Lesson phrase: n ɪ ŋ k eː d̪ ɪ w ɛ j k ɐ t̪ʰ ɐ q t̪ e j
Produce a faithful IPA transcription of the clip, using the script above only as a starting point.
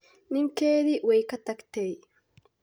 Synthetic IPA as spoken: n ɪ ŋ k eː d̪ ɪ w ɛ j k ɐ t̪ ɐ k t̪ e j